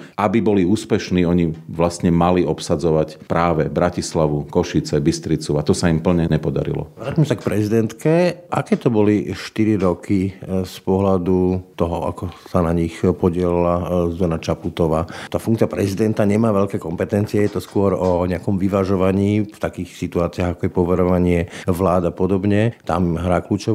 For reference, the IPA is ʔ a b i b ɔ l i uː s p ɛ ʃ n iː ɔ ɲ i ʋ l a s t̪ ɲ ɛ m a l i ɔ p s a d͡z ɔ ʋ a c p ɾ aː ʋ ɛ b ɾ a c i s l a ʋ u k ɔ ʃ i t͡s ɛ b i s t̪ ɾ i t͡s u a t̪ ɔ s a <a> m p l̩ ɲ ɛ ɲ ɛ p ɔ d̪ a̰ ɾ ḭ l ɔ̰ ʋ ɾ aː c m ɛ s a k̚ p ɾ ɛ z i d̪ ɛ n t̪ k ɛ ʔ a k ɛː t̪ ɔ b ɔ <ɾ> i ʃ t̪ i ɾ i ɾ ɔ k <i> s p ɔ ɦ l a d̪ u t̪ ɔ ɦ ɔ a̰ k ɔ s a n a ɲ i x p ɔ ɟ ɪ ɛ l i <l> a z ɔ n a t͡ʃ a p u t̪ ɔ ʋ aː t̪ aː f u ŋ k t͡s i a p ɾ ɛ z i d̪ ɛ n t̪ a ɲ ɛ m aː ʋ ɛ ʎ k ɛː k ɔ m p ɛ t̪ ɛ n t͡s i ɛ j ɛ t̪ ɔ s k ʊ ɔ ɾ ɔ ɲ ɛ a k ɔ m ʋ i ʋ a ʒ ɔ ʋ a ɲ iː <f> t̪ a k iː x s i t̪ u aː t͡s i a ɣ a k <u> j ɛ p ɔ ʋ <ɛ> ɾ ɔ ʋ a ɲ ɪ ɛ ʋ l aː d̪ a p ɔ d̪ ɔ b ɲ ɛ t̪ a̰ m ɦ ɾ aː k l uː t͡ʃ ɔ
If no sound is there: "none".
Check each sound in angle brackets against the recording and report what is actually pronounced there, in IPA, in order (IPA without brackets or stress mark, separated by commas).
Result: i, l, i, l, f, ɔ, ɛ